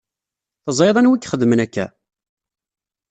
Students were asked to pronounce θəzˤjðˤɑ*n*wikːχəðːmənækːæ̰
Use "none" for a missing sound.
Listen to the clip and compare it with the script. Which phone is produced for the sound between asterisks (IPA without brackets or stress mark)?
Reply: n